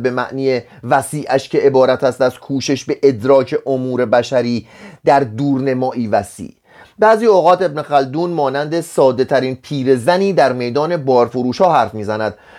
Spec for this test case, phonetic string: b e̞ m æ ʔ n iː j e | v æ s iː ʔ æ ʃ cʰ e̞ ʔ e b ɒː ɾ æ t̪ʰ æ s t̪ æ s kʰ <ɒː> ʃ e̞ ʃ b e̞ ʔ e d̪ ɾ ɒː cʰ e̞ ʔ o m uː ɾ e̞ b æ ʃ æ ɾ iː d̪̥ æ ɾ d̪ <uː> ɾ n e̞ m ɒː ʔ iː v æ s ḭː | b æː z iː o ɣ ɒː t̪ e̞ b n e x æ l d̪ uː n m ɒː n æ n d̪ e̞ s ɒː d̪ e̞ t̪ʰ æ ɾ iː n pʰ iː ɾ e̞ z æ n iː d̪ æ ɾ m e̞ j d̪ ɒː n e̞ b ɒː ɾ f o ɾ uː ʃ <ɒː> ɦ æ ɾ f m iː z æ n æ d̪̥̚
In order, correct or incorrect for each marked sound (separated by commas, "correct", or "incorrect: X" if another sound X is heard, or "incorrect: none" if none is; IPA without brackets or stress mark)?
incorrect: uː, correct, correct